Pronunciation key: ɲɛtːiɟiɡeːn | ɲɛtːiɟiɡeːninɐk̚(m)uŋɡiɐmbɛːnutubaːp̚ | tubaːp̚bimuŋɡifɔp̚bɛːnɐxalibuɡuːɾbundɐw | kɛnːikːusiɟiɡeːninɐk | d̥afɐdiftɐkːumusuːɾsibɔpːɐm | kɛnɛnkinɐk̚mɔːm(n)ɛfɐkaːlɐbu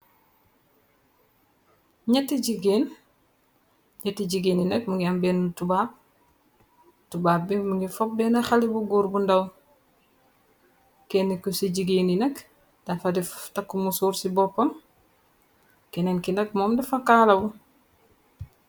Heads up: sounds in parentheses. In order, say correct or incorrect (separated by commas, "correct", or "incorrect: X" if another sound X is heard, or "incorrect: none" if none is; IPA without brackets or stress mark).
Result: correct, incorrect: d